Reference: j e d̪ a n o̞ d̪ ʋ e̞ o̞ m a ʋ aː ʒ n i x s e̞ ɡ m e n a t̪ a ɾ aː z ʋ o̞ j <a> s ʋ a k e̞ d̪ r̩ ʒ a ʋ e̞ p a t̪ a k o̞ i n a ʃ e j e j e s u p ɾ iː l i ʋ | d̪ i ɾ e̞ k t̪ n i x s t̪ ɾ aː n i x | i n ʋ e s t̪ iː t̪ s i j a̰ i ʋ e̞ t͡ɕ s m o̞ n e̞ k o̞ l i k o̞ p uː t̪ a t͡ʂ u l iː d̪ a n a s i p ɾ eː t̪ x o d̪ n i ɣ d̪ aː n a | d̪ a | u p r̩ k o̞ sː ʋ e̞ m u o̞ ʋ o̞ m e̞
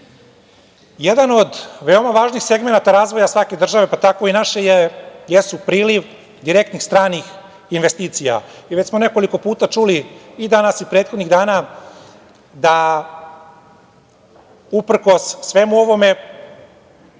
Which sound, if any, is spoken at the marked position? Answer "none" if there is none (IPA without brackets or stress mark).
a